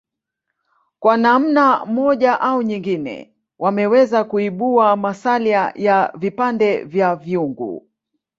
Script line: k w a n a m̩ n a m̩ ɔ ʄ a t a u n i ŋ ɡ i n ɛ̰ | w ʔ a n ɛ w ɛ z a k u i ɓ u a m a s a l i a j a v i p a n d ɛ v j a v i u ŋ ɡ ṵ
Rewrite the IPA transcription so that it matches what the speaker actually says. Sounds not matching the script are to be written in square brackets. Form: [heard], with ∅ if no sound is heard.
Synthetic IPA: k w a n a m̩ n a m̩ ɔ ʄ a [ʔ] a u [ɲ] i ŋ ɡ i n ɛ̰ | w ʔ a [m] ɛ w ɛ z a k u i ɓ u a m a s a l i a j a v i p a n d ɛ v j a v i u ŋ ɡ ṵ